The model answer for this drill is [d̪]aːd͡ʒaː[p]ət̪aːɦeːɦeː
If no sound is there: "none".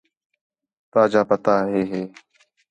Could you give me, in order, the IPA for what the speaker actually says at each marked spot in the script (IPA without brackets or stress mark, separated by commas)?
t̪, p